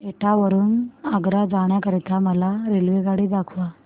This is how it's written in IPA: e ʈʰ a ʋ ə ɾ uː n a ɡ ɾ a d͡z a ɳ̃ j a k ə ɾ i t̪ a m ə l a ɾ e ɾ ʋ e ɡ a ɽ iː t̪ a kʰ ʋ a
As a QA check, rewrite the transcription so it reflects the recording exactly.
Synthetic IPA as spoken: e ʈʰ a ʋ ə ɾ uː n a ɡ ɾ a d͡z a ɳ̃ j a k ə ɾ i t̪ a m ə l a ɾ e l ʋ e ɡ a ɽ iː d̪ a kʰ ʋ a